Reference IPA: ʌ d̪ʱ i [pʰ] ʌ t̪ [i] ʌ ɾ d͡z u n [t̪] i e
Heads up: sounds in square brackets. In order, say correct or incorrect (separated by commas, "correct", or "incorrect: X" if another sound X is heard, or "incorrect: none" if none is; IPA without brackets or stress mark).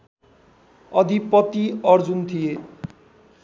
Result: incorrect: p, correct, incorrect: t̪ʰ